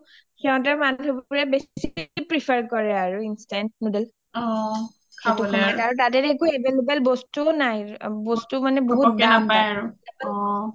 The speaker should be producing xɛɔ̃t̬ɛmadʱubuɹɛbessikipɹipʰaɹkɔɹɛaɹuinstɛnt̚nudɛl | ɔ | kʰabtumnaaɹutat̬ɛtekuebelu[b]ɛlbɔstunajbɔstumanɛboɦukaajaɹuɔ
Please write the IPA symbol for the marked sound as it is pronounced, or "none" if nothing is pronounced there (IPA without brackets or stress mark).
b